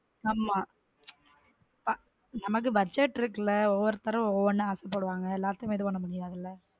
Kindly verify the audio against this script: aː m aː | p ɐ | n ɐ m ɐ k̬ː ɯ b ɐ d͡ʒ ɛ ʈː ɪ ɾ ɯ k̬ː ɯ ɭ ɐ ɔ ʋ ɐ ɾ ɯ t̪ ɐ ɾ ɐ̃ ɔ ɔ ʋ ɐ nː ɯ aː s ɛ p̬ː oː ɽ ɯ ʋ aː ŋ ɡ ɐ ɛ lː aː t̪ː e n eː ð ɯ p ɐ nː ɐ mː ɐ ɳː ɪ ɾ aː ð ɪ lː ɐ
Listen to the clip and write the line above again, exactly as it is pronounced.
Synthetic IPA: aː m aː | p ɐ | n ɐ m ɐ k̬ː ɯ b ɐ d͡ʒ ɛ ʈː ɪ ɾ ɯ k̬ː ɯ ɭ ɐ ɔ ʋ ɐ ɾ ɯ t̪ ɐ ɾ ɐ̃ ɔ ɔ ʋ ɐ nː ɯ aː s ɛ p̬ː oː ɽ ɯ ʋ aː ŋ ɡ ɐ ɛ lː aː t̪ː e m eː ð ɯ p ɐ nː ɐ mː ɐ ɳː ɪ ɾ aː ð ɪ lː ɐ

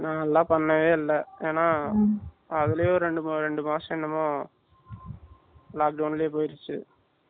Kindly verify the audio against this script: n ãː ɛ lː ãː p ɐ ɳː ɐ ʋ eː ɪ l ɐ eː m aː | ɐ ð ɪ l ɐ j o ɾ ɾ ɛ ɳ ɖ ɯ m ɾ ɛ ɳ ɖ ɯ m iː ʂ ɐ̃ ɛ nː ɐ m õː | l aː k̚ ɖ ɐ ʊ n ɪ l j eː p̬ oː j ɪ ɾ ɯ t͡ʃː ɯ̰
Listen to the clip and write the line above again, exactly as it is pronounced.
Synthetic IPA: n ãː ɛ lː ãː p ɐ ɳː ɐ ʋ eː ɪ lː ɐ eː n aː | ɐ ð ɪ l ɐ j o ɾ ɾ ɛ ɳ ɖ ɯ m ɾ ɛ ɳ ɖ ɯ m aː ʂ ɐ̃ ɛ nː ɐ m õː | l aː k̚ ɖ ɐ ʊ n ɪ l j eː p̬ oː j ɪ ɾ ɯ t͡ʃː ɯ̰

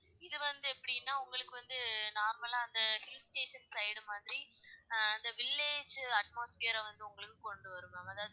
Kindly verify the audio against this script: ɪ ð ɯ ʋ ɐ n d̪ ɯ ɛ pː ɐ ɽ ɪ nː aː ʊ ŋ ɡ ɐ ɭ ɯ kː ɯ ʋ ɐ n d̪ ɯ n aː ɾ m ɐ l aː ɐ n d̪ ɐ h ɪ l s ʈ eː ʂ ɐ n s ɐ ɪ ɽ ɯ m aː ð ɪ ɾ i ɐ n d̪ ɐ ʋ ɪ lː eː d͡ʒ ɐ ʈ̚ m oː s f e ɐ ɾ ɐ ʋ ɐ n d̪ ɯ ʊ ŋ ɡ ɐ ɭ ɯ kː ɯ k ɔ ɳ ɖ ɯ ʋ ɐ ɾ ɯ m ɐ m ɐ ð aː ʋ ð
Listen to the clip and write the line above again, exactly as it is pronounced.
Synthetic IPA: ɪ ð ɯ ʋ ɐ n d̪ ɯ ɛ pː ɐ ɽ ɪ nː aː ʊ ŋ ɡ ɐ ɭ ɯ kː ɯ ʋ ɐ n d̪ ɯ n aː ɾ m ɐ l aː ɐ n d̪ ɐ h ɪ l s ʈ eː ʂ ɐ n s ɐ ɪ ɽ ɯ m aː ð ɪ ɾ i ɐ n d̪ ɐ ʋ ɪ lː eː d͡ʒ ɐ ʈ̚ m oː s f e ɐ ɾ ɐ ʋ ɐ n d̪ ɯ ʊ ŋ ɡ ɐ ɭ ɯ kː ɯ k ɔ ɳ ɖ ɯ ʋ ɐ ɾ ɯ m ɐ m ɐ ð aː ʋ ð

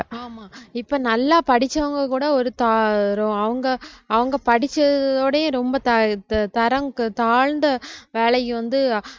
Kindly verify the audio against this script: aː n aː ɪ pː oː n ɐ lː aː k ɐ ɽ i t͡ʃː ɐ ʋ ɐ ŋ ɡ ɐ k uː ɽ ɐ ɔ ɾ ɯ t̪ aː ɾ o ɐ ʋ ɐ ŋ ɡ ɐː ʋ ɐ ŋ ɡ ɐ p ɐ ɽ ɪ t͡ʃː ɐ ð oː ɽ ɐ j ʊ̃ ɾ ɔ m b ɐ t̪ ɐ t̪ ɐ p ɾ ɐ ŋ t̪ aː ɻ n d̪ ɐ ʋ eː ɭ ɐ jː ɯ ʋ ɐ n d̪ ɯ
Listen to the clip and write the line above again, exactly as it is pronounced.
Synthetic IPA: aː m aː ɪ pː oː n ɐ lː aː p ɐ ɽ ɪ t͡ʃː ɐ ʋ ɐ ŋ ɡ ɐ k uː ɽ ɐ ɔ ɾ ɯ t̪ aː ɾ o ɐ ʋ ɐ ŋ ɡ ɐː ʋ ɐ ŋ ɡ ɐ p ɐ ɽ ɪ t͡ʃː ɐ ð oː ɽ ɐ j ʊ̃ ɾ ɔ m b ɐ t̪ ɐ t̪ ɐ ɾ ɐ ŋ t̪ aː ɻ n d̪ ɐ ʋ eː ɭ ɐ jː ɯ ʋ ɐ n d̪ ɯ

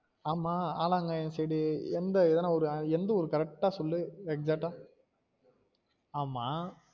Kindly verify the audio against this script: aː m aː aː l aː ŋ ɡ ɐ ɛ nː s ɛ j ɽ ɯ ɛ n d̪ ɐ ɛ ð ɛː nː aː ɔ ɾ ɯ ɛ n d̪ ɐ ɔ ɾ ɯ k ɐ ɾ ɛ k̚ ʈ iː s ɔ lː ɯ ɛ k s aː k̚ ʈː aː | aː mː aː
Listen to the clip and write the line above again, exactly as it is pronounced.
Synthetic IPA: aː m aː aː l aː ŋ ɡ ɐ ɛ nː s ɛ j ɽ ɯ ɛ n d̪ ɐ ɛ ð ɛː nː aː ɔ ɾ ɯ ɛ n d̪ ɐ ɔ ɾ ɯ k ɐ ɾ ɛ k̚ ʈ aː s ɔ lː ɯ ɛ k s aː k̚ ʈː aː | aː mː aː

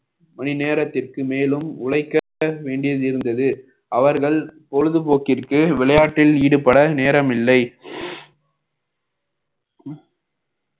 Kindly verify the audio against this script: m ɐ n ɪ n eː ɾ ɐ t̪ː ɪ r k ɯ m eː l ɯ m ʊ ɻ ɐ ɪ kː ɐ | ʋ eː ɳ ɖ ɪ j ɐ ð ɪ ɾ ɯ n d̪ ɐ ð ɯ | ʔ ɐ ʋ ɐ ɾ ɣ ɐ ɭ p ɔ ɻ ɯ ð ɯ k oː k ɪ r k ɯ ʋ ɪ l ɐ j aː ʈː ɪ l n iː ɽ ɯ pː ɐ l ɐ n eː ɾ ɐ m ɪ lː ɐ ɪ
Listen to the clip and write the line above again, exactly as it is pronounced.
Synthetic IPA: m ɐ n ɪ n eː ɾ ɐ t̪ː ɪ r k ɯ m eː l ɯ m ʊ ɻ ɐ ɪ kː ɐ | ʋ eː ɳ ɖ ɪ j ɐ ð ɪ ɾ ɯ n d̪ ɐ ð ɯ | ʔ ɐ ʋ ɐ ɾ ɣ ɐ ɭ p ɔ ɻ ɯ ð ɯ p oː k ɪ r k ɯ ʋ ɪ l ɐ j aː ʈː ɪ l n iː ɽ ɯ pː ɐ ɽ ɐ n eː ɾ ɐ m ɪ lː ɐ ɪ

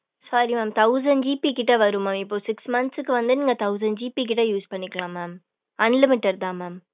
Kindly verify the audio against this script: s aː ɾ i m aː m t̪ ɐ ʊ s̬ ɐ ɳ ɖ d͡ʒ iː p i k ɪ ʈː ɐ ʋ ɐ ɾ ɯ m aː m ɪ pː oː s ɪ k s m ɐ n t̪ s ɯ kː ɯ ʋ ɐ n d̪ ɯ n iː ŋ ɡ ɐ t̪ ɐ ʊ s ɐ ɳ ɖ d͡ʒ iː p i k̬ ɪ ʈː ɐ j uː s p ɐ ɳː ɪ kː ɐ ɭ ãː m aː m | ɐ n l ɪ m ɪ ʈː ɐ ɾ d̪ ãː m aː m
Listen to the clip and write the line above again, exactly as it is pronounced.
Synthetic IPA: s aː ɾ i m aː m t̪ ɐ ʊ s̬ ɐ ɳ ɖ d͡ʒ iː p i k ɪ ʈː ɐ ʋ ɐ ɾ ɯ m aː m ɪ pː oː s ɪ k s m ɐ n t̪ s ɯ kː ɯ ʋ ɐ n d̪ ɯ n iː ŋ ɡ ɐ t̪ ɐ ʊ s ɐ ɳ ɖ d͡ʒ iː p i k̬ ɪ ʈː ɐ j uː s p ɐ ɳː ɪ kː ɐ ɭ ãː m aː m | ɐ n l ɪ m ɪ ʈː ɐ ɾ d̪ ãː m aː m

